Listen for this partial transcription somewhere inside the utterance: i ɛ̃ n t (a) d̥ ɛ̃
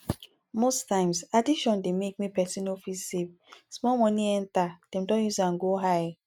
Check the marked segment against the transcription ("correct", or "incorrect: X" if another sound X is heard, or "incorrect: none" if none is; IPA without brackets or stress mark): correct